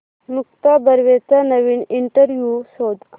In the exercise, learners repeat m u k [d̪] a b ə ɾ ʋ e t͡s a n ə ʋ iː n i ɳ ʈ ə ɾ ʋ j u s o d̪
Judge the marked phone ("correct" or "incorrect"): incorrect